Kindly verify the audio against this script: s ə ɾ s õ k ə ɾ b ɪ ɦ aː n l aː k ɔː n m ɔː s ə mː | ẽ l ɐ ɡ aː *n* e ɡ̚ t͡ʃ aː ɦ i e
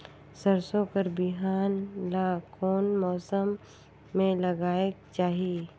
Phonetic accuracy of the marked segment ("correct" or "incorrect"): incorrect